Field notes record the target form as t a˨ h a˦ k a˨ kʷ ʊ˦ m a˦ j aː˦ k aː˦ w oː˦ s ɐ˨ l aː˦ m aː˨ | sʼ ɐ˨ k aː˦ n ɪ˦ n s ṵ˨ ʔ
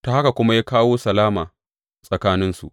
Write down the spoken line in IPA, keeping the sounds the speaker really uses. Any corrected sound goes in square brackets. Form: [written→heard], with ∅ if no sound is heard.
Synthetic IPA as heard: t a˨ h a˦ k a˨ kʷ ʊ˦ m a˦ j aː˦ k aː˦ w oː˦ s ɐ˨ l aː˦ m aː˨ | sʼ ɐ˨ k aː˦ n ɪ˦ n s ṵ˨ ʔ